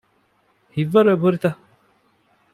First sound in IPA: h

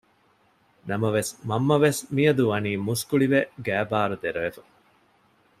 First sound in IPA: n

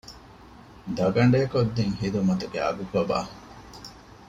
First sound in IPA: d̪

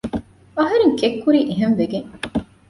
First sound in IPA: ɐ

